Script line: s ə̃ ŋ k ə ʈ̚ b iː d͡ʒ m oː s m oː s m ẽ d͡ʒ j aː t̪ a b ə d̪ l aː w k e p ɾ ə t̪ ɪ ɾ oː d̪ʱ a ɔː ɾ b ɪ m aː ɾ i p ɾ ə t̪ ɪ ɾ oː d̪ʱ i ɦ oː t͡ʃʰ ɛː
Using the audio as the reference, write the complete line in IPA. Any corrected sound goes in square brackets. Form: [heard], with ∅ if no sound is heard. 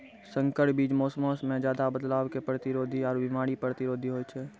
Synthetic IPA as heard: s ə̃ ŋ k ə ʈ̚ b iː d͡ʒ m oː s m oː s m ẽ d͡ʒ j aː [d̪] a b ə d̪ l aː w k e p ɾ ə t̪ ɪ ɾ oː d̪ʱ [i] ɔː ɾ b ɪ m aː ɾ i p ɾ ə t̪ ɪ ɾ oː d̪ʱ i ɦ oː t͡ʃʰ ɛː